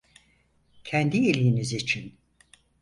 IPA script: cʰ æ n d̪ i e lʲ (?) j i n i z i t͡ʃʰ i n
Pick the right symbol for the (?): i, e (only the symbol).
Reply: i